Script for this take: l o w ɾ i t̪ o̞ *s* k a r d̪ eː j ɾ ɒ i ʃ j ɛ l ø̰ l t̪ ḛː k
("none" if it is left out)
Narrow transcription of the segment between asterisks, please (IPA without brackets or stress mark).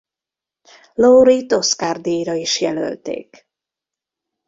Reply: s